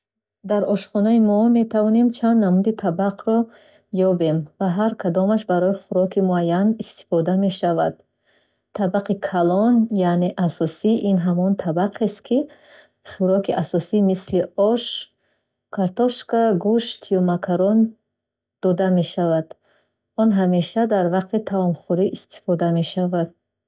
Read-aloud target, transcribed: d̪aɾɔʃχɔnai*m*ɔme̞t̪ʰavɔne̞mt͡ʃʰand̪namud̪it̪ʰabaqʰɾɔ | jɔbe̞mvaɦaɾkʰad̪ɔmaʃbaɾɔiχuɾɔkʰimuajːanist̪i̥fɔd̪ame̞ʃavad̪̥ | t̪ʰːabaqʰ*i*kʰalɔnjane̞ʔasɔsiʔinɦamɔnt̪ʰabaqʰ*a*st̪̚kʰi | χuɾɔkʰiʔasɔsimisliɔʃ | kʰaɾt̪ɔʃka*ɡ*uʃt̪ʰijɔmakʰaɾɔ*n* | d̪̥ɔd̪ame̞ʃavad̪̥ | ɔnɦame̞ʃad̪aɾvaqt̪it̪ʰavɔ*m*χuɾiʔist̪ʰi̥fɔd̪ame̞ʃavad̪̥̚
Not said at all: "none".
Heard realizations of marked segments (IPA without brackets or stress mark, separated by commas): m, i, e, ɡ, n, m